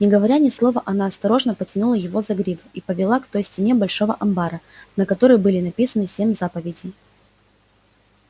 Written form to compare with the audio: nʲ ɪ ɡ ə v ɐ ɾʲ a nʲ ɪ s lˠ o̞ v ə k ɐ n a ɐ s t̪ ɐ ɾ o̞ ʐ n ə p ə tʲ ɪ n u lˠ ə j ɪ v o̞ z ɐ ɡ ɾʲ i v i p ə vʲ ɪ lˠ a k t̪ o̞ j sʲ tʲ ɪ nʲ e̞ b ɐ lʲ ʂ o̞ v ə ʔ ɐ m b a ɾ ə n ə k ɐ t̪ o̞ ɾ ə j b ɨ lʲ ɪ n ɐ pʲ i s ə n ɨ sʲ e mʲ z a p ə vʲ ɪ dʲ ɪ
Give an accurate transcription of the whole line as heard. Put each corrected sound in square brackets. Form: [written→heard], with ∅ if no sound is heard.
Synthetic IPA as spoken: nʲ ɪ ɡ ə v ɐ ɾʲ a nʲ ɪ s lˠ o̞ v ə [k→ʔ] ɐ n a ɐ s t̪ ɐ ɾ o̞ ʐ n ə p ə tʲ ɪ n u lˠ ə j ɪ v o̞ z ɐ ɡ ɾʲ i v i p ə vʲ ɪ lˠ a k t̪ o̞ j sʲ tʲ ɪ nʲ e̞ b ɐ lʲ ʂ o̞ v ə ʔ ɐ m b a ɾ ə n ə k ɐ t̪ o̞ ɾ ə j b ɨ lʲ ɪ n ɐ pʲ i s ə n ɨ sʲ e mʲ z a p ə vʲ ɪ dʲ ɪ